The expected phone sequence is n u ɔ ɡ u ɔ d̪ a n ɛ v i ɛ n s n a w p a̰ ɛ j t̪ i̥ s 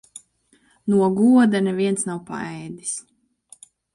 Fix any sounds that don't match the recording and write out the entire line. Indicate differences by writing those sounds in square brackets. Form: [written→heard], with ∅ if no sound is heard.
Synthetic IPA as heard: n u ɔ ɡ u ɔ d̪ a n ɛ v i ɛ n s n a w p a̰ ɛ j [t̪→d̪] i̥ s